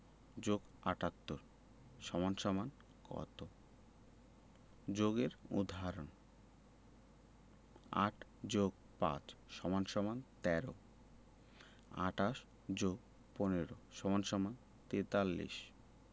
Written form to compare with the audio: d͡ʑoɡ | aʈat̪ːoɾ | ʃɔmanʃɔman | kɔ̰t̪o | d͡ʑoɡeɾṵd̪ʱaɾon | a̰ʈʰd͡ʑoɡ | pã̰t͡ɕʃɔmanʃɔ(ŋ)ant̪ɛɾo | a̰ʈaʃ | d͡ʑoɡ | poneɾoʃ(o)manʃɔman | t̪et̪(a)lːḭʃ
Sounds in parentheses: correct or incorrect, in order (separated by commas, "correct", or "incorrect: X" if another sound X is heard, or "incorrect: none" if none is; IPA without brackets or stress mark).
incorrect: m, incorrect: ɔ, correct